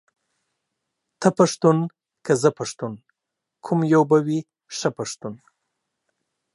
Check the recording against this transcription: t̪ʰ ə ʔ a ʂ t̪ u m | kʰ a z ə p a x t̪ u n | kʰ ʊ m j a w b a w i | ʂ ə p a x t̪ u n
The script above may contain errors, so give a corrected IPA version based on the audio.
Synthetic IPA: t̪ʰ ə p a ʂ t̪ u n | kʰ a z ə p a ʂ t̪ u n | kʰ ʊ m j a w b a w i | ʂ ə p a ʂ t̪ u n